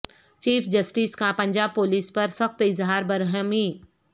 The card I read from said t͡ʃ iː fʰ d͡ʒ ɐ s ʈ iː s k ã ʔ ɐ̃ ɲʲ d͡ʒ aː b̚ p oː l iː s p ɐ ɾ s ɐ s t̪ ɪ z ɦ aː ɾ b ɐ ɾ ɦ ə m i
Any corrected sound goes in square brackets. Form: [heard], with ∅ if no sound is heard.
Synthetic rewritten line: t͡ʃ iː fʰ d͡ʒ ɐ s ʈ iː s k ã [p] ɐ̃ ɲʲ d͡ʒ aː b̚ p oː l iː s p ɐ ɾ s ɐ [x] t̪ ɪ z ɦ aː ɾ b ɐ ɾ ɦ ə m i